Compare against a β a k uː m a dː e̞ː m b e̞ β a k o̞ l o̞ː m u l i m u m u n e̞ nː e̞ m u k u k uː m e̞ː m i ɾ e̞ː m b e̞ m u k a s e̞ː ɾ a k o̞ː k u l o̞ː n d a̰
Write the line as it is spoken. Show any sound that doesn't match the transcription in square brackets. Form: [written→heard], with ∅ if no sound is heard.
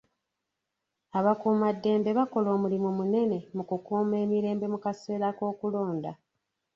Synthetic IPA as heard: a β a k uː m a dː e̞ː m b e̞ β a k o̞ l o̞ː m u l i m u m u n e̞ [nː→n] e̞ m u k u k uː m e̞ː m i ɾ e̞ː m b e̞ m u k a s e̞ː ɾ a k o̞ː k u l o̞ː n d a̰